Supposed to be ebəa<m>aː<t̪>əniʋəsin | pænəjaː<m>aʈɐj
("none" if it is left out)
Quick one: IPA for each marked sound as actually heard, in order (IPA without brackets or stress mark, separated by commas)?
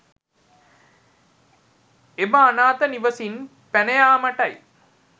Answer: n, t̪, m